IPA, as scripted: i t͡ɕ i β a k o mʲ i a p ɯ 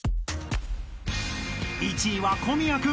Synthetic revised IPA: i t͡ɕ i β a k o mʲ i a k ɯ